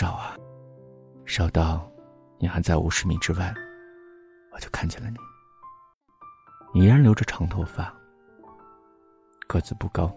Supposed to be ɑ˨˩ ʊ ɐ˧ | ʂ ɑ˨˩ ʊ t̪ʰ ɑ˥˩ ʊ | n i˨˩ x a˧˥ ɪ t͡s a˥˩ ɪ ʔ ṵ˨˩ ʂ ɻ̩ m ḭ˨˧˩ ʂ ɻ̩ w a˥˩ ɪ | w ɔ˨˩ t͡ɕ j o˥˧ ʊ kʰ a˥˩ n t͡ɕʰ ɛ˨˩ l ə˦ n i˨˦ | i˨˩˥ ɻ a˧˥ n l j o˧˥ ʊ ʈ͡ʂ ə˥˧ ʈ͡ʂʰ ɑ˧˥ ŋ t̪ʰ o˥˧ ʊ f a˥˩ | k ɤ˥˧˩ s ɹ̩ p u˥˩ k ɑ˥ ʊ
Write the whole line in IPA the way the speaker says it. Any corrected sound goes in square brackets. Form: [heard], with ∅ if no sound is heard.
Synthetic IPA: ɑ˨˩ ʊ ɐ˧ | ʂ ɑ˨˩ ʊ [t̪] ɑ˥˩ ʊ | n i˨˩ x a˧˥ ɪ t͡s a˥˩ ɪ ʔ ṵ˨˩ ʂ ɻ̩ m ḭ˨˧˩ [ʈ͡ʂ] ɻ̩ w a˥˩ ɪ | w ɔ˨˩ t͡ɕ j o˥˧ ʊ kʰ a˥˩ n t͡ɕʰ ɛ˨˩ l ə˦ n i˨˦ | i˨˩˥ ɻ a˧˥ n l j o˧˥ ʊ ʈ͡ʂ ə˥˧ ʈ͡ʂʰ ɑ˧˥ ŋ t̪ʰ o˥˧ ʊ f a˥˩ | k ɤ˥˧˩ [t͡s] ɹ̩ p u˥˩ k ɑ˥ ʊ